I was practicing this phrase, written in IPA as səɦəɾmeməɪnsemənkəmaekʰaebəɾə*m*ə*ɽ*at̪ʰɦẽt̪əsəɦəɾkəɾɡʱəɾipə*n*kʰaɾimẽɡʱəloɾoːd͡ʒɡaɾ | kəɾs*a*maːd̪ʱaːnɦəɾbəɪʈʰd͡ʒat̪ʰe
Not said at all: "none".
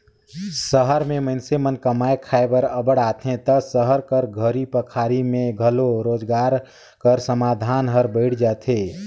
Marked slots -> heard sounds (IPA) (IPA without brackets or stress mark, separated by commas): b, ɽ, none, ə